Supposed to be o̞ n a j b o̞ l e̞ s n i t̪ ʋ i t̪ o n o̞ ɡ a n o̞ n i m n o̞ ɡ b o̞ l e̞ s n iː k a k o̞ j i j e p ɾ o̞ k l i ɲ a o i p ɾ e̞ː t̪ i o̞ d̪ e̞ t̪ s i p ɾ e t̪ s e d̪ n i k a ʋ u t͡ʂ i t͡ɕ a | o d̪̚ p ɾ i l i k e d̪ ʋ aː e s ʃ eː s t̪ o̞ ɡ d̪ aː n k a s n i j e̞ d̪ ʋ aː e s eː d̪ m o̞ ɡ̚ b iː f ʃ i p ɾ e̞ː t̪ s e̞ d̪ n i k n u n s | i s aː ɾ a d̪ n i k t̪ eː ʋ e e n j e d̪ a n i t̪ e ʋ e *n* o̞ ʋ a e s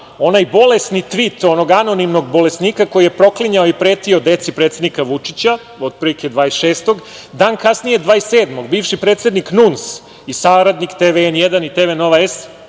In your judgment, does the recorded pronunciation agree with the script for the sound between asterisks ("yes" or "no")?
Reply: yes